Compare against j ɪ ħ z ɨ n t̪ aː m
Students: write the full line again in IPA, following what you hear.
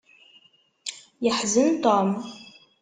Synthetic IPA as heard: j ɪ ħ z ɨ n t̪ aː m